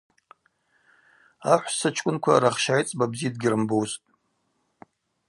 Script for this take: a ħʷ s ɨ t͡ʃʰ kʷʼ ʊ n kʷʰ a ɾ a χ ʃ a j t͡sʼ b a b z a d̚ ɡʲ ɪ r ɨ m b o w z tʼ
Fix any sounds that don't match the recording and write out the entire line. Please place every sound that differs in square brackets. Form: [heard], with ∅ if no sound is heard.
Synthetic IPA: a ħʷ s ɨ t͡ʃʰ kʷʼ ʊ n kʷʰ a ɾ a χ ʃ a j t͡sʼ b a b z [i] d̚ ɡʲ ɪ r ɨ m b o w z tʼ